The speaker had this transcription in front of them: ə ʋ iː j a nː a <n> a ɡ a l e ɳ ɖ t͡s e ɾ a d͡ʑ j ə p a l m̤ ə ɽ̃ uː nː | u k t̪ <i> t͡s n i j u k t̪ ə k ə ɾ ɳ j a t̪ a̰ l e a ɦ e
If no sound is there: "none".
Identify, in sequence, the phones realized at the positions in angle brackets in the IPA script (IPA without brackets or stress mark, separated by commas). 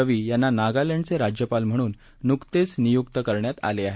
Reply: n, e